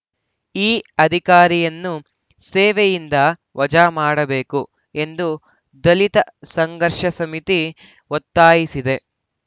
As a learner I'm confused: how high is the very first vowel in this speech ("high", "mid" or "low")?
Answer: high